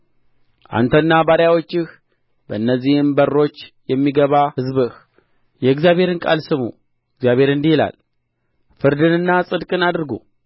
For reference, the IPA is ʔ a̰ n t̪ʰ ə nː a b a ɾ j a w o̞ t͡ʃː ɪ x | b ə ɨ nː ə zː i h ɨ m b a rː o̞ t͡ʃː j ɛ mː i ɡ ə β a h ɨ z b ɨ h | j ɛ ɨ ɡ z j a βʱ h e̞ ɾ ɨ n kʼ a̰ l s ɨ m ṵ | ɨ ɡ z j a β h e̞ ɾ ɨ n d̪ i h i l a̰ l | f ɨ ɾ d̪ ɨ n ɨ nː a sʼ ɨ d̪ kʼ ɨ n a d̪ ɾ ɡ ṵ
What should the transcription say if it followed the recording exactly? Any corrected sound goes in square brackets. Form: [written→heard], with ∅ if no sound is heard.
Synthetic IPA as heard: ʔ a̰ n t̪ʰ ə nː a b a ɾ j a w o̞ t͡ʃː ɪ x | b ə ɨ nː ə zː i h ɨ m b [a→ə] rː o̞ t͡ʃː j ɛ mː i ɡ ə β a h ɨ z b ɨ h | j ɛ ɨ ɡ z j a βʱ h e̞ ɾ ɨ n kʼ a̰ l s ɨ m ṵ | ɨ ɡ z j a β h e̞ ɾ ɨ n d̪ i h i l a̰ l | f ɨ ɾ d̪ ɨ n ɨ nː a sʼ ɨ d̪ kʼ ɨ n a d̪ ɾ ɡ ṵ